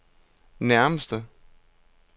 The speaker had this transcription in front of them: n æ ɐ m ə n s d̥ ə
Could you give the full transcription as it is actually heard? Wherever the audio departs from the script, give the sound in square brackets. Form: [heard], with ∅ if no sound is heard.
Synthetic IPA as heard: n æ ɐ m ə [∅] s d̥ ə